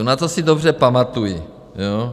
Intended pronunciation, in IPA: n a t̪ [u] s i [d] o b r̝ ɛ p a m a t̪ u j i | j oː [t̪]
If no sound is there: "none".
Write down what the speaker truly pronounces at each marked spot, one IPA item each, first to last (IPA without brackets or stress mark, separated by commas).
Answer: o, d, none